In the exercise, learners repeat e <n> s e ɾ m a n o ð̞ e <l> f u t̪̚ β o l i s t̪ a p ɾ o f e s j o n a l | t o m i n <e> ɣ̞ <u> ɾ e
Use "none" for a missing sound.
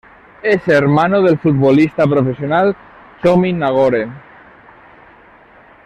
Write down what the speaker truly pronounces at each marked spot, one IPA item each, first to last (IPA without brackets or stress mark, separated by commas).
none, l, a, o